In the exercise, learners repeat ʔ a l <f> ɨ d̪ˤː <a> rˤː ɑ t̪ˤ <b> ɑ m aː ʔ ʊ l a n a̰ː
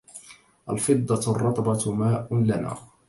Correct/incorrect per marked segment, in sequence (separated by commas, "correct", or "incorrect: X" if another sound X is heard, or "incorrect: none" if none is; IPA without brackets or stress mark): correct, incorrect: ɑ, correct